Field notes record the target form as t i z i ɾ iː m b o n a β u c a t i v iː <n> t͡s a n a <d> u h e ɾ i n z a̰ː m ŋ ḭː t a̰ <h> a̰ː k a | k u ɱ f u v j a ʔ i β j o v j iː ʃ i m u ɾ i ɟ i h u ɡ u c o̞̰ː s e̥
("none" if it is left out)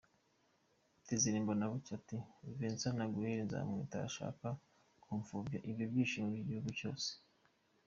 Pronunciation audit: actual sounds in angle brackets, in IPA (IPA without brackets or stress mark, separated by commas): n, ɡ, ʃ